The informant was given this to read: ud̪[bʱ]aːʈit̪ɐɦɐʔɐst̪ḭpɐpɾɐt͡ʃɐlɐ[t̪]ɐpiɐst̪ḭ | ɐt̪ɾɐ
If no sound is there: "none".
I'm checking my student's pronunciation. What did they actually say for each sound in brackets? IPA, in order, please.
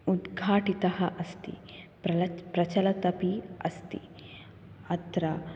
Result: ɡʱ, t̪

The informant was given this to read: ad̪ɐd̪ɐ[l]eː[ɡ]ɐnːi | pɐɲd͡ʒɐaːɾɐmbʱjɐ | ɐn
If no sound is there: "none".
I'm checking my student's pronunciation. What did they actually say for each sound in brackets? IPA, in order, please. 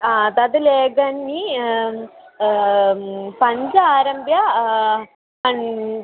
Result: l, ɡ

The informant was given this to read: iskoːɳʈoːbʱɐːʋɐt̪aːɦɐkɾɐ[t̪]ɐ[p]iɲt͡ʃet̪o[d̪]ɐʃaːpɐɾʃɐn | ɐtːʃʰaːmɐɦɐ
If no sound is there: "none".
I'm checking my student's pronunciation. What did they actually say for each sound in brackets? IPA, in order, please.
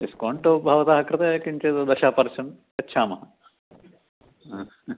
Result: t̪, k, d̪

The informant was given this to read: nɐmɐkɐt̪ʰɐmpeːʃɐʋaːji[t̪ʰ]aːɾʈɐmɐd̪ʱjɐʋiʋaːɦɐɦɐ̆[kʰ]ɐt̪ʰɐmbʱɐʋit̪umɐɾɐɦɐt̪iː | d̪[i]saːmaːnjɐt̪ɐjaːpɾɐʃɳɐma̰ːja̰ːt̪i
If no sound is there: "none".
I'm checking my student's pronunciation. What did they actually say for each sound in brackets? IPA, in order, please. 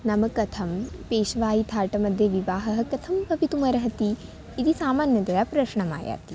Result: t̪ʰ, k, i

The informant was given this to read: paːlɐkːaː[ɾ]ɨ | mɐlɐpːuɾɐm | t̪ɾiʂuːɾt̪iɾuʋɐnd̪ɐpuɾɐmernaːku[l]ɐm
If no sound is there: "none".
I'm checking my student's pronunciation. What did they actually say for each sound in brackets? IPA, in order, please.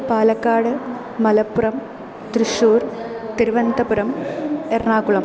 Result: ɽ, ɭ

